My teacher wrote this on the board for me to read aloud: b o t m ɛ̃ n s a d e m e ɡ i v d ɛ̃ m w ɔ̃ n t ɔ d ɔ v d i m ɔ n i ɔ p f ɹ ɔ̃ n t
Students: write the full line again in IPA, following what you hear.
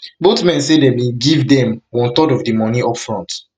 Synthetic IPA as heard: b o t m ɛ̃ n s e d e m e ɡ i v d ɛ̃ m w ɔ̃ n t ɔ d ɔ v d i m ɔ n i ɔ p f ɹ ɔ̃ n t